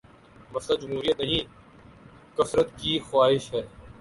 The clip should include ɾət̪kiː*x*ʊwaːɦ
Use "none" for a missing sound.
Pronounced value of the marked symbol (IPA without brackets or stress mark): x